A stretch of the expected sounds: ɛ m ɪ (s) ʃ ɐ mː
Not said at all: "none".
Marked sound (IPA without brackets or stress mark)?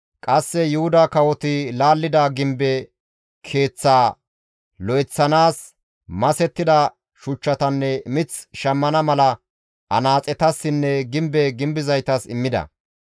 t͡s